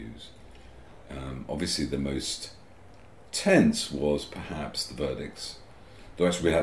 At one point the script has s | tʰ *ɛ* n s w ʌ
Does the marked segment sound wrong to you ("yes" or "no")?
yes